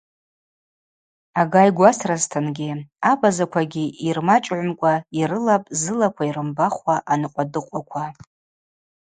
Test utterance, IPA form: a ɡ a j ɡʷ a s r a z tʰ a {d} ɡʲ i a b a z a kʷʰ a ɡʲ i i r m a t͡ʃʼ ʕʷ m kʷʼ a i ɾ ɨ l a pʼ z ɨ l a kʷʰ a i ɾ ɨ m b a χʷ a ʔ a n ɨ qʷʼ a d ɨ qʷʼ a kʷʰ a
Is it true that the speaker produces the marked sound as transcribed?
no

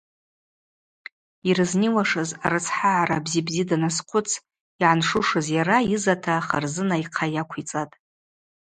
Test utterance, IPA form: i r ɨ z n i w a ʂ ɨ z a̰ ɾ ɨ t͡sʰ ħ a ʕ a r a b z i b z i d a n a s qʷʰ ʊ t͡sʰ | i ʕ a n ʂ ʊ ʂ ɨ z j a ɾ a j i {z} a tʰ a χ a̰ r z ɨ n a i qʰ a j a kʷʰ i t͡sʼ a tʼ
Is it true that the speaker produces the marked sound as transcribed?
yes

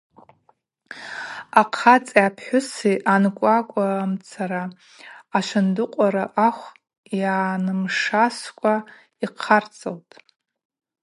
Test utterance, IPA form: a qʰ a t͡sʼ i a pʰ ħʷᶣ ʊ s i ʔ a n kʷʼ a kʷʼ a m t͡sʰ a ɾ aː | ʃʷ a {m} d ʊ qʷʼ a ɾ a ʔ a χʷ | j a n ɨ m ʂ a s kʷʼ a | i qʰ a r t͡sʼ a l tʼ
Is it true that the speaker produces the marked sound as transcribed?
no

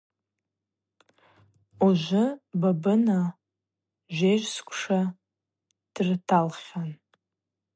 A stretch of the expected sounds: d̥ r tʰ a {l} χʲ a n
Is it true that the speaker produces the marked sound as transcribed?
yes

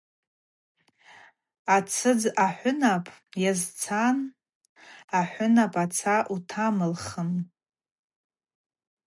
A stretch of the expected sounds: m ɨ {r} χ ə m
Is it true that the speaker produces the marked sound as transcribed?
no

